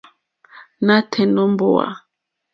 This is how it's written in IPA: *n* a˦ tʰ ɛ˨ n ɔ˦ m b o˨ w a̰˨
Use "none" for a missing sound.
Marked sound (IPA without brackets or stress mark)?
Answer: n